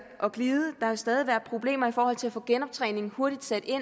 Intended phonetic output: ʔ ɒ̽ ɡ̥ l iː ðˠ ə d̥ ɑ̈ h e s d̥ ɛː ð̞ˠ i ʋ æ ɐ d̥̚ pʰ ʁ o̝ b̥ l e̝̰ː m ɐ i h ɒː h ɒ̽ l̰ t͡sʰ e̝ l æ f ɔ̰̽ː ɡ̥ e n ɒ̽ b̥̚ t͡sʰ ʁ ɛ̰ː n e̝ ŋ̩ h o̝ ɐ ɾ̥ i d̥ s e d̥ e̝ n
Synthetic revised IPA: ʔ ɒ̽ ɡ̥ l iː ðˠ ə d̥ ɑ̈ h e s d̥ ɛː ð̞ˠ i ʋ æ ɐ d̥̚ pʰ ʁ o̝ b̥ l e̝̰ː m ɐ i f ɒː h ɒ̽ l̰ t͡sʰ e̝ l æ f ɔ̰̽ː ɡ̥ e n ɒ̽ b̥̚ t͡sʰ ʁ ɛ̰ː n e̝ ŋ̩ h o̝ ɐ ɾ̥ i d̥ s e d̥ e̝ n